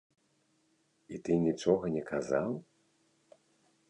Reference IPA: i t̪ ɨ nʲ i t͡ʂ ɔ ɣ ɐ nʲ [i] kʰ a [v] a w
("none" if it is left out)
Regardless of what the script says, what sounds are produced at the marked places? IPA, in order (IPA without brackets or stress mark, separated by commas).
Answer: ɛ, z